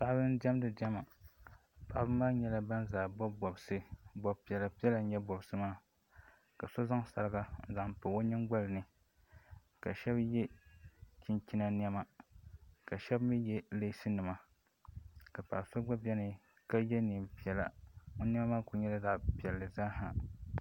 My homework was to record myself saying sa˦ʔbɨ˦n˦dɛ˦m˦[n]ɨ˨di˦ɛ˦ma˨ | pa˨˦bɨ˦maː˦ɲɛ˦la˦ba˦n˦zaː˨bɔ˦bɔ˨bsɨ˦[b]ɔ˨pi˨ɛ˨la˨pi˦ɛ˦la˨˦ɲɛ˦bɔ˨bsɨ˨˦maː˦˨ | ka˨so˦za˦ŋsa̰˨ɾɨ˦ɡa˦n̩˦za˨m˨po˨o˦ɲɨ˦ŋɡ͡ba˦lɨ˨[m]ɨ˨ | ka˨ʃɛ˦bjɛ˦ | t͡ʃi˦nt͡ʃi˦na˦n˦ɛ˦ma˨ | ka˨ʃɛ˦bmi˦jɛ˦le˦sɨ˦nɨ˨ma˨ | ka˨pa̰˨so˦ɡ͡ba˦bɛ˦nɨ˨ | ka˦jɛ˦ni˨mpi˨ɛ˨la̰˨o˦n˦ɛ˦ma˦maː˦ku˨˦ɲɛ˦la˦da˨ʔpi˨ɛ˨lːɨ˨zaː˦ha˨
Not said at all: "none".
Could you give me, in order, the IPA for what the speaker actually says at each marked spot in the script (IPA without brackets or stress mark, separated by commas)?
d, b, n